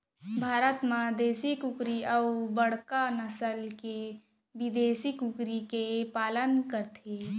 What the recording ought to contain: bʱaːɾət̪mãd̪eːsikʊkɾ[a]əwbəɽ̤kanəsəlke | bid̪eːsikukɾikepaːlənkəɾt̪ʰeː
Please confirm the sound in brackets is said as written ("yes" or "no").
no